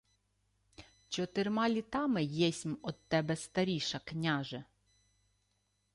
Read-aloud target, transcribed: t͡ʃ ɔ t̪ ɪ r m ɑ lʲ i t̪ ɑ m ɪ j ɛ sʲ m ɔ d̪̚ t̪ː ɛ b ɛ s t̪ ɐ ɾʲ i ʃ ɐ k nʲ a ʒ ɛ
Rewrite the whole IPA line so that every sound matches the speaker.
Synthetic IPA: t͡ʃ ɔ t̪ ɪ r m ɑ lʲ i t̪ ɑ m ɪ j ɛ sʲ m ɔ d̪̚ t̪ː ɛ b ɛ s t̪ ɐ ɾʲ i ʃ ɐ k nʲ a ʒ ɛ